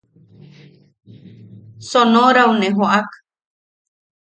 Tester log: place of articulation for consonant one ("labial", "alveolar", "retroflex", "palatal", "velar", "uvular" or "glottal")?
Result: alveolar